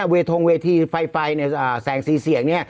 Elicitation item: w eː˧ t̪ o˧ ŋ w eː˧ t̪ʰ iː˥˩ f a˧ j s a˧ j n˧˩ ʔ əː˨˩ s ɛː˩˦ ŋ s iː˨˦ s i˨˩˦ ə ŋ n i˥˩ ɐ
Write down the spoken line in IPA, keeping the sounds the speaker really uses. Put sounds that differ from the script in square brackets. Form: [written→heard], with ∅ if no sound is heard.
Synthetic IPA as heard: w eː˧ [t̪→t̪ʰ] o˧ ŋ w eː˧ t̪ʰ [iː˥˩→iː˧] f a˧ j [s→f] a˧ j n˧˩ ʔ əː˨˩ s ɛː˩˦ ŋ s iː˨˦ s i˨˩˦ ə ŋ n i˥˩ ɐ